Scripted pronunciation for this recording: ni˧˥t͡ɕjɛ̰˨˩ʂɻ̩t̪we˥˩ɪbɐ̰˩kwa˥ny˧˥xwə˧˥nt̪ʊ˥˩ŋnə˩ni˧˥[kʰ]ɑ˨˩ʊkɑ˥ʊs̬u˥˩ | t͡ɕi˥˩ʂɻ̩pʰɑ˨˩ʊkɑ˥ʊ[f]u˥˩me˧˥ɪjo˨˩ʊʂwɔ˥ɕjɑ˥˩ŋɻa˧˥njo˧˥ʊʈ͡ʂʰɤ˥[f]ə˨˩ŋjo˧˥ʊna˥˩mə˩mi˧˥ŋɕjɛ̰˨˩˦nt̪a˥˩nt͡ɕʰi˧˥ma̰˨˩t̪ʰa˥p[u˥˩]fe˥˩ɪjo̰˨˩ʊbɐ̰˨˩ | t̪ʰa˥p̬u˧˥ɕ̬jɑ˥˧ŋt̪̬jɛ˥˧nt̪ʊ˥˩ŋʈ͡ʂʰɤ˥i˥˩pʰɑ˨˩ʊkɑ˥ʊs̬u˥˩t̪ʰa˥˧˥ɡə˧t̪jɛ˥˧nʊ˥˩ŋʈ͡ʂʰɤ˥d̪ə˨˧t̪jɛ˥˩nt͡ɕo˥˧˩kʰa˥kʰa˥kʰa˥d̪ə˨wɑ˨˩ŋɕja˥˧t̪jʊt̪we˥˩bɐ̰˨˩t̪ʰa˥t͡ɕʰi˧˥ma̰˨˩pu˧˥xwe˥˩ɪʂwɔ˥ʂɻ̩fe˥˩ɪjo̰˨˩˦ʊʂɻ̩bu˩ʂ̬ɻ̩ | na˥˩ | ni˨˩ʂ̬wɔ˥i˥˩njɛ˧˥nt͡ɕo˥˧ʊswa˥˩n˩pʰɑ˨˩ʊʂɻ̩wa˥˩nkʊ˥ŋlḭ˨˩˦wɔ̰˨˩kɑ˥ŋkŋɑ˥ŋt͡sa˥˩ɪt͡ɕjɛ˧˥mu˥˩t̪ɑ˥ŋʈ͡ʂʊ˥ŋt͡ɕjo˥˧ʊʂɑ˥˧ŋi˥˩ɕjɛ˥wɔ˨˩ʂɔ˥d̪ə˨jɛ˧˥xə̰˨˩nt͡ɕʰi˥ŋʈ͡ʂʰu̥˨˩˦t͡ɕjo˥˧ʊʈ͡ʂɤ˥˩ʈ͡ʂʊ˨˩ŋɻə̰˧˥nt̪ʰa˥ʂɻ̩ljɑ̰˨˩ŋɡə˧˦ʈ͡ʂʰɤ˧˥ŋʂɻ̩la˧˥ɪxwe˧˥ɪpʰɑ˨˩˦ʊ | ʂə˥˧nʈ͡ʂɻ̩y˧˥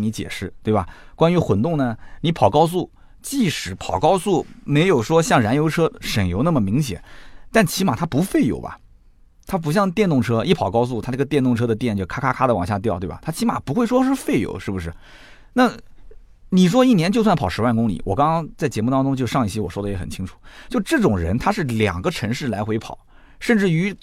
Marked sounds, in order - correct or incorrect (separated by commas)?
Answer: incorrect, incorrect, incorrect, incorrect